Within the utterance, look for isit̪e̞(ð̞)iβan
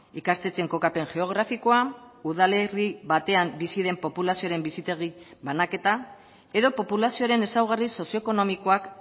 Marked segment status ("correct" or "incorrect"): incorrect